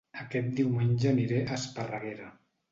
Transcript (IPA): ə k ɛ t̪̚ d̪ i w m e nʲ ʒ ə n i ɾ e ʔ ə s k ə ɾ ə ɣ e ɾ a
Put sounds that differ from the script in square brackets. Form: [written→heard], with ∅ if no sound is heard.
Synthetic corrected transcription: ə k ɛ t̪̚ d̪ i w m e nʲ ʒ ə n i ɾ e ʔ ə s [k→p] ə [ɾ→r] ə ɣ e ɾ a